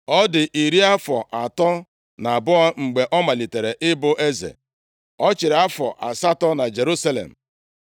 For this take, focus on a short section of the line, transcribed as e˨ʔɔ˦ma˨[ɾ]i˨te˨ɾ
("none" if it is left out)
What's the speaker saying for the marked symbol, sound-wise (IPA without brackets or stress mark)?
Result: l